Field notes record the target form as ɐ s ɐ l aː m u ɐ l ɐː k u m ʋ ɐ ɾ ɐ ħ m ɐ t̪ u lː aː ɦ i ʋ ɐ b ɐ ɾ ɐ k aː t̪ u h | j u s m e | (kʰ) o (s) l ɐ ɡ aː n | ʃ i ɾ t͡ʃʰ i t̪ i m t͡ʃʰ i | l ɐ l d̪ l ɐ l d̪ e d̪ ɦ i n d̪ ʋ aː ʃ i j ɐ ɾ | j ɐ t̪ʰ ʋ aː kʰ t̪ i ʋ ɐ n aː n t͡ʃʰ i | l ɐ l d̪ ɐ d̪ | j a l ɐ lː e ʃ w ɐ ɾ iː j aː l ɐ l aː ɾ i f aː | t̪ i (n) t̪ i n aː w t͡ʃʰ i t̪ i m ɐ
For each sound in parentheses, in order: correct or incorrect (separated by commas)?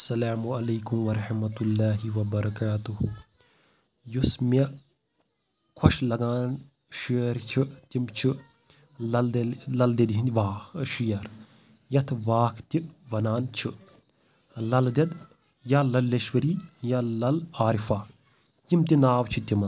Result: correct, incorrect, incorrect